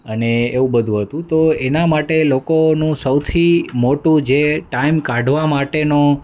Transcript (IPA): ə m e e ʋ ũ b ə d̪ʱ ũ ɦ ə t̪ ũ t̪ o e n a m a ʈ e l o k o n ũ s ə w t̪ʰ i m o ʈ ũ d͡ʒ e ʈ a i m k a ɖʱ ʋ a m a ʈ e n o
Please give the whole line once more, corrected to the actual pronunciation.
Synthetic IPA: ə n e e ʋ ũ b ə d̪ʱ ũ ɦ ə t̪ ũ t̪ o e n a m a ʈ e l o k o n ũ s ə w t̪ʰ i m o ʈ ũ d͡ʒ e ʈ a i m k a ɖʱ ʋ a m a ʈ e n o